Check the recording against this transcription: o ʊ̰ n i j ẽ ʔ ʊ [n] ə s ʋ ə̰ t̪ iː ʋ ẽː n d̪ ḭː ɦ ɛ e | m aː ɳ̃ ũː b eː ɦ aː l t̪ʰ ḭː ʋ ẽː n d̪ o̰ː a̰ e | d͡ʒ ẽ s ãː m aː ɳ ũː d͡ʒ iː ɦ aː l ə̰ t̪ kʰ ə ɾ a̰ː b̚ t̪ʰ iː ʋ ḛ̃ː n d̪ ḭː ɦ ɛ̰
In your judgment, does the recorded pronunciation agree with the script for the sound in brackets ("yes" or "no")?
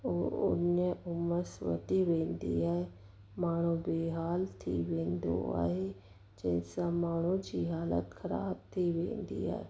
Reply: no